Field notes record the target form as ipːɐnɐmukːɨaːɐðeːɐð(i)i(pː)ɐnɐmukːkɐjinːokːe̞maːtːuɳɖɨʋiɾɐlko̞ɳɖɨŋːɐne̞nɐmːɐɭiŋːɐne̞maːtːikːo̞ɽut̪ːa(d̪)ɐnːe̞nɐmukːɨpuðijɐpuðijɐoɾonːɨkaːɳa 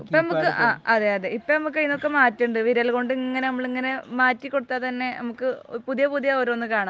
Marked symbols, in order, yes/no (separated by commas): no, yes, no